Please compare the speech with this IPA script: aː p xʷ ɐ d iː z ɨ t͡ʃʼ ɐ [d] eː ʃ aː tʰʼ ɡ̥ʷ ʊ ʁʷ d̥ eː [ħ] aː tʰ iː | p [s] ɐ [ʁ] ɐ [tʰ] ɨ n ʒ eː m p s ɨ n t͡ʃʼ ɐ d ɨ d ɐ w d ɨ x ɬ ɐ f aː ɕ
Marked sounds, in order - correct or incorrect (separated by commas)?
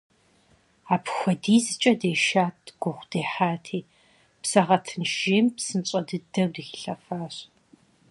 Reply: correct, correct, correct, correct, correct